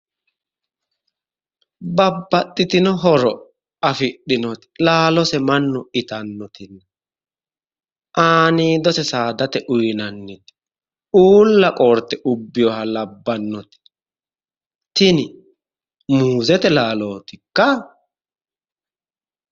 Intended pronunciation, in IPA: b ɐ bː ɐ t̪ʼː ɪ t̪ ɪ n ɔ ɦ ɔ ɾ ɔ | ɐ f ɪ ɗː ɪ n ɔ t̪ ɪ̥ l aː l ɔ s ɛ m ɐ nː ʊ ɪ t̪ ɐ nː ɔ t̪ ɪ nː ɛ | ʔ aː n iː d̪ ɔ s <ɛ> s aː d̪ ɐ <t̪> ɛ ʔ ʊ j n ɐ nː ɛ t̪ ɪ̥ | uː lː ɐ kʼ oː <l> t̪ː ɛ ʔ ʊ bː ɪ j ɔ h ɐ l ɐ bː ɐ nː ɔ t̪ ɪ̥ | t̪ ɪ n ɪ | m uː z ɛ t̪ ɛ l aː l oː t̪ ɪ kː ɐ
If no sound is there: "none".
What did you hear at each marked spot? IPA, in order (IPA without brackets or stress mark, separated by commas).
ɛ, t̪, ɾ